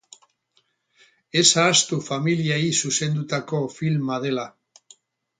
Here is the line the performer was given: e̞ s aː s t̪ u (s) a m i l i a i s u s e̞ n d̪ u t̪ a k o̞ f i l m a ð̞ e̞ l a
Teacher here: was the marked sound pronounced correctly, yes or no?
no